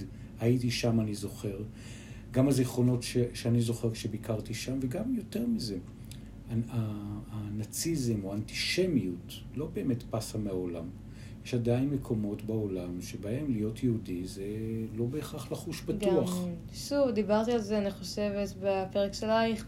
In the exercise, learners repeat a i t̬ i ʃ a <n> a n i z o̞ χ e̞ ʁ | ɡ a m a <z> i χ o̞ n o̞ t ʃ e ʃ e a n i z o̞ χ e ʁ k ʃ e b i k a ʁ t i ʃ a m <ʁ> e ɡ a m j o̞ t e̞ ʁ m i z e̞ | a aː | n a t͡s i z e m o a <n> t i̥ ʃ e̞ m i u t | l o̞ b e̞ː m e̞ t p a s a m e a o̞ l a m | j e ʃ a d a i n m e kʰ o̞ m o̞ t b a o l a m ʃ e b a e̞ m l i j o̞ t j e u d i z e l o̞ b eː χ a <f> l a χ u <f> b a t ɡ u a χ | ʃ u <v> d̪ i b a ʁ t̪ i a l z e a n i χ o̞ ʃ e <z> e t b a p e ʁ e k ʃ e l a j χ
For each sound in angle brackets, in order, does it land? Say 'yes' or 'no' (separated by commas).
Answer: no, yes, no, yes, no, no, yes, no